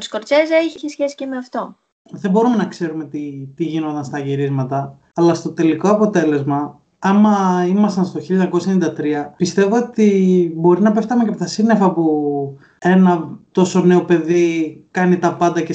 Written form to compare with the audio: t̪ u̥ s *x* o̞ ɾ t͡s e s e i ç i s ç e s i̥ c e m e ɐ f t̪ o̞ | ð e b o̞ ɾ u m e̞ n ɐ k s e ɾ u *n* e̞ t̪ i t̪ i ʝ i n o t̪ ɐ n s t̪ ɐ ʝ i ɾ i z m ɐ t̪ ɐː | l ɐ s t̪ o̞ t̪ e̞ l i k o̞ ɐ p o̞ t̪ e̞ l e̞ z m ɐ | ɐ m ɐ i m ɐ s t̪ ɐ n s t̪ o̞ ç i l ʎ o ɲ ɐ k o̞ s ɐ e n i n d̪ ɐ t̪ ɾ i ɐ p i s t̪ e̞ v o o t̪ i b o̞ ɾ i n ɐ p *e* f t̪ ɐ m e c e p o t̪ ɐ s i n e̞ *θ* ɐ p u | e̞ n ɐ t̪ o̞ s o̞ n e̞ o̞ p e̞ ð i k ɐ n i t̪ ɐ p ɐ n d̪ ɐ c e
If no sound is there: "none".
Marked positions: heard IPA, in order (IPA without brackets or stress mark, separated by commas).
k, m, e, f